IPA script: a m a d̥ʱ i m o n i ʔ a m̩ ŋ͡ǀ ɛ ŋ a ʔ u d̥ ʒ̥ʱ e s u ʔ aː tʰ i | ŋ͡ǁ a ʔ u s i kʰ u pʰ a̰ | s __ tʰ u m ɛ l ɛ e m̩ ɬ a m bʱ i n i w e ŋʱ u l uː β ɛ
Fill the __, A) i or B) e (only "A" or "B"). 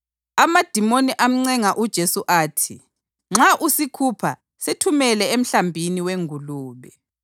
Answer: B